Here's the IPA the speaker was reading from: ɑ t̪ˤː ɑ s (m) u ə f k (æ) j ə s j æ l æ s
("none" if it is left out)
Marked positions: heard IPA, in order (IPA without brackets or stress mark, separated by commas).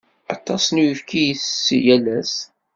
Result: n, i